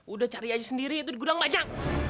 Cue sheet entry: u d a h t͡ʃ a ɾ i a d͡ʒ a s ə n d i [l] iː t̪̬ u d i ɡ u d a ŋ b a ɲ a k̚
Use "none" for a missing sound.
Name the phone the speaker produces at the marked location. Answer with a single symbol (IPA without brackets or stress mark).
ɾ